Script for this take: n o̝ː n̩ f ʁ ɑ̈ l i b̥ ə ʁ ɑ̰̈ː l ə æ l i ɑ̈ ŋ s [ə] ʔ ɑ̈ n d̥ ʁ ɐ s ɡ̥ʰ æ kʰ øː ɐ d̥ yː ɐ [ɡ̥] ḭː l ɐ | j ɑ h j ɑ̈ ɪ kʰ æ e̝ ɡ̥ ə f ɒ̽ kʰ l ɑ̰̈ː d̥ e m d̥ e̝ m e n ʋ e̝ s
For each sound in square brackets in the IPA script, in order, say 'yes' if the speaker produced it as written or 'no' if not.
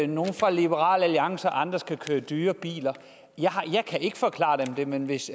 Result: no, no

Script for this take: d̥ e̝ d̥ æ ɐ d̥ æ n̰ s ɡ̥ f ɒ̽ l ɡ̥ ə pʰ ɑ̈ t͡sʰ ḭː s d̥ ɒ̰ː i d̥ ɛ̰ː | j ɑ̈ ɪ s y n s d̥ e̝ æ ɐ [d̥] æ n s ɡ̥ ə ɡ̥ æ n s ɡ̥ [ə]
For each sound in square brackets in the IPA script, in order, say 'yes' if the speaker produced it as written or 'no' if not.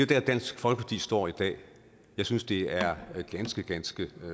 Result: no, yes

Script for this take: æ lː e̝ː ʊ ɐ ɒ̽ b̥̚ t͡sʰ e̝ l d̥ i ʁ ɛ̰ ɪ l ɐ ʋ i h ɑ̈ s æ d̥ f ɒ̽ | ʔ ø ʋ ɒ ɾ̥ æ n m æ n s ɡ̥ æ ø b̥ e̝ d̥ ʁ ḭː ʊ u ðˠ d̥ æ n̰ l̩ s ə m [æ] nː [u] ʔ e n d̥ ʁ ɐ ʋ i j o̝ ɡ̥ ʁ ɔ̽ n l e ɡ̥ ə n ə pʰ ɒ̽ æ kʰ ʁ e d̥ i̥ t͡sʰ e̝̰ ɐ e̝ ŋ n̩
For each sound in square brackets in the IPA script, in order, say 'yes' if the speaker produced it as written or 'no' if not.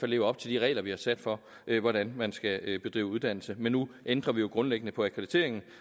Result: no, yes

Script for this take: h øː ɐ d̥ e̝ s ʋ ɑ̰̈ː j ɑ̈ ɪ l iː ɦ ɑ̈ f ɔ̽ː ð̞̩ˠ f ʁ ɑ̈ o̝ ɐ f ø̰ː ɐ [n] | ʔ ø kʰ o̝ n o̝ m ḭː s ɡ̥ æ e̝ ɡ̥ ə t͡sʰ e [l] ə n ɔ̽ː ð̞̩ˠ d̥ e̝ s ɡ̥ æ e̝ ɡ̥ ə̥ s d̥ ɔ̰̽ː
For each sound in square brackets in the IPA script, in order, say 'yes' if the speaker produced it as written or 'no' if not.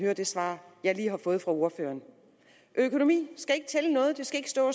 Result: yes, yes

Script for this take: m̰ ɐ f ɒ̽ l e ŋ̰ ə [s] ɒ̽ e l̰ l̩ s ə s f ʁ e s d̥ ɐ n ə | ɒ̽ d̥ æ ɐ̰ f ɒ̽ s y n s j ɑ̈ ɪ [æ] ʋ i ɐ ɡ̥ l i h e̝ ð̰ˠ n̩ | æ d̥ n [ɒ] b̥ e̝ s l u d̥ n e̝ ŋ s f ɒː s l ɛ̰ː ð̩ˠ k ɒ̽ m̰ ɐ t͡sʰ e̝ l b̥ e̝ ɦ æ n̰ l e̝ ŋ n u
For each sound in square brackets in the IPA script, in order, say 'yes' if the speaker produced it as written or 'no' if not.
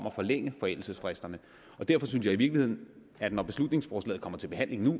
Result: no, no, yes

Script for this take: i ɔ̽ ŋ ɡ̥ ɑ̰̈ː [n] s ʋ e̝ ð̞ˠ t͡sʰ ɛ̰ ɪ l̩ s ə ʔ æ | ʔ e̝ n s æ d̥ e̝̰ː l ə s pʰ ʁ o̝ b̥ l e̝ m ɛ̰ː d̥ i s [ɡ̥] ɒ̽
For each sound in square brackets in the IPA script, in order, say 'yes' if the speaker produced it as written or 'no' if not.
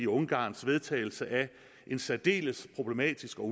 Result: yes, yes

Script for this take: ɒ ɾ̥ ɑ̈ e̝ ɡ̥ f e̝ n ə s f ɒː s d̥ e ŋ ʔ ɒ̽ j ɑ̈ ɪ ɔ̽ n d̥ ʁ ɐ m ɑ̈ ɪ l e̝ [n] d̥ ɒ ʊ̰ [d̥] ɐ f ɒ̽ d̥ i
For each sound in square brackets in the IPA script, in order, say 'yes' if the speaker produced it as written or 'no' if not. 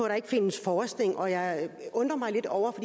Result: no, no

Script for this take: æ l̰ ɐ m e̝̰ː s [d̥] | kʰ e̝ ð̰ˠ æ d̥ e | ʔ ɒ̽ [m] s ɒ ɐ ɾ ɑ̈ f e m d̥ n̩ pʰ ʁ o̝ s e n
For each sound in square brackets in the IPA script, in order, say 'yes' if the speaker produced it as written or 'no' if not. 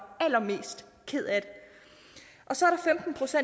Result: yes, no

